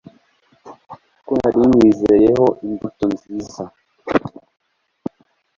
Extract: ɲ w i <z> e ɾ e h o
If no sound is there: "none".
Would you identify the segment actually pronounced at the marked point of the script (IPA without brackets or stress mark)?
z